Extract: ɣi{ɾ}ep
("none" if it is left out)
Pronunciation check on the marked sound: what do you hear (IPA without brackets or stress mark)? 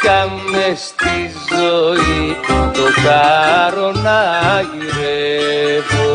ɾ